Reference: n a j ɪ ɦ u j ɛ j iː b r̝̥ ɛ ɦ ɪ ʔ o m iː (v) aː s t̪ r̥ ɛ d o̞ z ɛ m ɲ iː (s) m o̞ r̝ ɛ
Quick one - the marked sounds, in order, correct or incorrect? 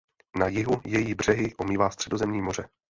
correct, incorrect: none

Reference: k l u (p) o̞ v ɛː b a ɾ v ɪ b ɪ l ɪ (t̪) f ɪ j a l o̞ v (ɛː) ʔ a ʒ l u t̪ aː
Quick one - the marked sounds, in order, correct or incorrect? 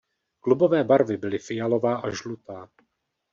incorrect: b, incorrect: none, incorrect: aː

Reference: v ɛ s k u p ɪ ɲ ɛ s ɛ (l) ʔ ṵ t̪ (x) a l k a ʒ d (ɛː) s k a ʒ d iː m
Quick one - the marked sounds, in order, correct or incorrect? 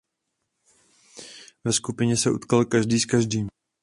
incorrect: none, incorrect: k, incorrect: iː

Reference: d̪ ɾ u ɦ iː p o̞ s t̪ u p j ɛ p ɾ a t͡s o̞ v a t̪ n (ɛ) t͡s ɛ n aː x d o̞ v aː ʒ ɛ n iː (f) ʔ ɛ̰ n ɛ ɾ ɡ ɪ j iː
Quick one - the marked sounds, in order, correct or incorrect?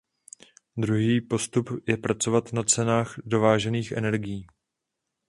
incorrect: a, incorrect: x

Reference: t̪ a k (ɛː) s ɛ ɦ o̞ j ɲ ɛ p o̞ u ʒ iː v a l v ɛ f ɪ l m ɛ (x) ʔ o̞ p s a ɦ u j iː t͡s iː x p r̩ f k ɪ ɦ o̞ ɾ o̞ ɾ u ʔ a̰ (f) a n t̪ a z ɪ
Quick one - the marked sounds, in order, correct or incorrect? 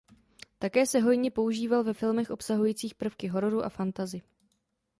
correct, correct, correct

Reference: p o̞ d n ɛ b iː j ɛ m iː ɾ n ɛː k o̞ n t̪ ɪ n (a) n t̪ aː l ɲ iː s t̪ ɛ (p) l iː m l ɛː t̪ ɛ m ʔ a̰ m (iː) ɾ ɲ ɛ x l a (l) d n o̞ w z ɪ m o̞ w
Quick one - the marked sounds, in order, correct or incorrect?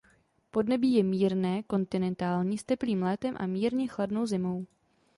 incorrect: ɛ, correct, correct, incorrect: none

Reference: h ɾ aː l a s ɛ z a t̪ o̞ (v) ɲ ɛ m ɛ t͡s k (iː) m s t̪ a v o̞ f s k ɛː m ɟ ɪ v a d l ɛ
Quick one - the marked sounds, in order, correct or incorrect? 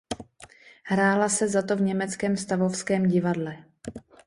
correct, incorrect: ɛː

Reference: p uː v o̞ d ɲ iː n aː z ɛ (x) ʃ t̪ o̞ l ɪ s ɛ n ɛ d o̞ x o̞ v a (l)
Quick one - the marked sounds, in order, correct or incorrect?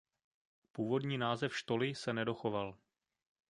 incorrect: f, correct

